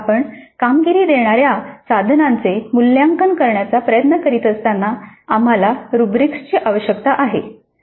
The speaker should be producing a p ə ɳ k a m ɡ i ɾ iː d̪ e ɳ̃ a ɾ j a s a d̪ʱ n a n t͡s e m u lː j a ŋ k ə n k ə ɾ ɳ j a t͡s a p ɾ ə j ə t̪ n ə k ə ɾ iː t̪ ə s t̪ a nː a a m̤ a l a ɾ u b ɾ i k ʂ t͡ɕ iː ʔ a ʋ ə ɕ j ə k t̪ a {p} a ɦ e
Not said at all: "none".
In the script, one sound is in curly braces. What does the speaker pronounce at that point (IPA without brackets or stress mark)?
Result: ʔ